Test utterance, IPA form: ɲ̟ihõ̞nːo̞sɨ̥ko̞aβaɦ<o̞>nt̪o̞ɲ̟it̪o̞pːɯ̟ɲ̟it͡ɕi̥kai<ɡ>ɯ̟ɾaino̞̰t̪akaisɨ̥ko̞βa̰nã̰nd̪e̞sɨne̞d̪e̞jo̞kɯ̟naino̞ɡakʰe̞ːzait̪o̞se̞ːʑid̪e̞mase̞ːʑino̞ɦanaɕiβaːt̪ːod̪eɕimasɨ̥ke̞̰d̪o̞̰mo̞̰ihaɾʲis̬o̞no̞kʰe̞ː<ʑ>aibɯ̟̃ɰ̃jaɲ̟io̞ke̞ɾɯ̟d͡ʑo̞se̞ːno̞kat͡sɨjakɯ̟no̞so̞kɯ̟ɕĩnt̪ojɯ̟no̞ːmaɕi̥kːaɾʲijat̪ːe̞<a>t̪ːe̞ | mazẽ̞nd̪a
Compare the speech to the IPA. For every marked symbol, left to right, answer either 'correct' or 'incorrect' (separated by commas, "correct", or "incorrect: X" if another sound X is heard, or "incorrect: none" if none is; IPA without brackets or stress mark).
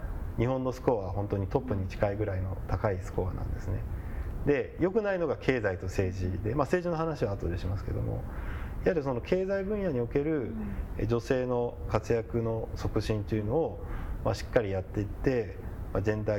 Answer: incorrect: õ̞, correct, incorrect: z, incorrect: i